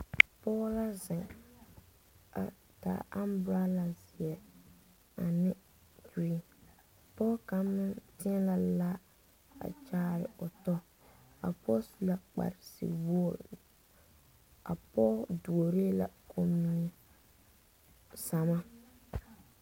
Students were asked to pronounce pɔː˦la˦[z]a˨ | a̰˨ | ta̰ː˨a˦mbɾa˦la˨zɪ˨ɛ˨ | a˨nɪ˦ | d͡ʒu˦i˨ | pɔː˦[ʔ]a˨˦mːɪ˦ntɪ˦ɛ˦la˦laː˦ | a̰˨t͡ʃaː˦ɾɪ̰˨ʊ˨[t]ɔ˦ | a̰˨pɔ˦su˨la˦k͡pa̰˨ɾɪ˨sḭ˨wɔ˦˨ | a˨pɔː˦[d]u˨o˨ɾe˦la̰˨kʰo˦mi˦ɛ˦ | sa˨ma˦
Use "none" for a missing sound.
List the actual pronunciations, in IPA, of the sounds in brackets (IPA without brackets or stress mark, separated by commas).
z, k, t, d